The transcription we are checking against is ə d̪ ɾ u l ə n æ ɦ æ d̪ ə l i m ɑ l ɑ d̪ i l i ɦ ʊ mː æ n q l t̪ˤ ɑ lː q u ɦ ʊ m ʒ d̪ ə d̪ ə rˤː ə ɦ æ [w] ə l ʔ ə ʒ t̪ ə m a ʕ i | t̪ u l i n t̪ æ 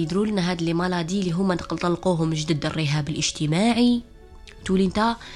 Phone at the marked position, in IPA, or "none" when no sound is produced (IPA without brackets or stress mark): b